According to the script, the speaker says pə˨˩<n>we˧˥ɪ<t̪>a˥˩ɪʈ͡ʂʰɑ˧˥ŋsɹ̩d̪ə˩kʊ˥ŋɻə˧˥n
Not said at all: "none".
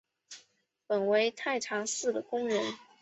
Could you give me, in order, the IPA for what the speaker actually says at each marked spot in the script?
n, t̪ʰ

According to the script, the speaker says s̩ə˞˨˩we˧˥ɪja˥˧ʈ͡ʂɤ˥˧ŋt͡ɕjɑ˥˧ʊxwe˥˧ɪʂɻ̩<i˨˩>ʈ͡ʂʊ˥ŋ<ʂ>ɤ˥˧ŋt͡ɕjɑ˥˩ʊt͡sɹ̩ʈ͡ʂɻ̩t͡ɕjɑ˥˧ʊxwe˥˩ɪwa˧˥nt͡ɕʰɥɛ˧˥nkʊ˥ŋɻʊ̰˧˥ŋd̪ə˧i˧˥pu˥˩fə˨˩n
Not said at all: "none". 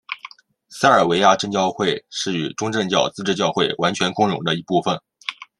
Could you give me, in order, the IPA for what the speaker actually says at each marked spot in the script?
y˨˩, ʈ͡ʂ

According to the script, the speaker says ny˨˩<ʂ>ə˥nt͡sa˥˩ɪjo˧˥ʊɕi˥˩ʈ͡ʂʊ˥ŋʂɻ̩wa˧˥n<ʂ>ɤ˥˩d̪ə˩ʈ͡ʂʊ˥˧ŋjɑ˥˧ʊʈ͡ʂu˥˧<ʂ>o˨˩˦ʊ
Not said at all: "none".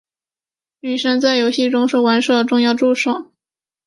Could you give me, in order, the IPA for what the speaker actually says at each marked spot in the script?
ʂ, ʂ, ʂ

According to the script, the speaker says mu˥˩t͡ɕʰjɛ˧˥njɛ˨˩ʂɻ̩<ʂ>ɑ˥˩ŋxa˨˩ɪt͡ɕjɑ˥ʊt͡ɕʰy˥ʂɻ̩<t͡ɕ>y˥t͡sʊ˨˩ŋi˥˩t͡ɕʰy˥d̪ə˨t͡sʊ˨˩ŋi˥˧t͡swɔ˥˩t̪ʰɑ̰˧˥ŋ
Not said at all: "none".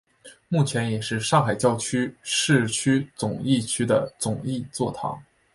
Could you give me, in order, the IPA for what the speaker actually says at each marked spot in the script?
ʂ, t͡ɕʰ

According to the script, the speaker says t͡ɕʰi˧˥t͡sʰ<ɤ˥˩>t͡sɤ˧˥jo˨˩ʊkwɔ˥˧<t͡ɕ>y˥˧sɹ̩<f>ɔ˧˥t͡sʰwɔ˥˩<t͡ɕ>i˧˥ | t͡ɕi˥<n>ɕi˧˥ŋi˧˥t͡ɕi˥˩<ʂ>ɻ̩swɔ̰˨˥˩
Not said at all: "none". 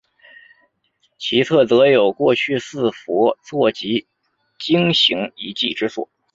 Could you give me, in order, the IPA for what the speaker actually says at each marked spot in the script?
ɤ˥˩, t͡ɕʰ, f, t͡ɕ, ŋ, ʈ͡ʂ

